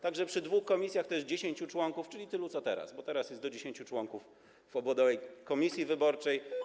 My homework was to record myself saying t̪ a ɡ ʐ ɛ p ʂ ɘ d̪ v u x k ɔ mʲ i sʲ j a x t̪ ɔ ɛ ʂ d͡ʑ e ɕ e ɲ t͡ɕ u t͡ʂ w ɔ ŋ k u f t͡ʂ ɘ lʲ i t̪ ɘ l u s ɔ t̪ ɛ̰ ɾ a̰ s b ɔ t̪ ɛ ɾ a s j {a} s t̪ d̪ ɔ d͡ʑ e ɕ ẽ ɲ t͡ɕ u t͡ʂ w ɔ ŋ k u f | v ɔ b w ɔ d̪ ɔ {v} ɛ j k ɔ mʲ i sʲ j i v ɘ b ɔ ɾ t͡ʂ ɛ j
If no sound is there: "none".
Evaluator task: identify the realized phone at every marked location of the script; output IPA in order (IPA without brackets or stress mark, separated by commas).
ɛ, v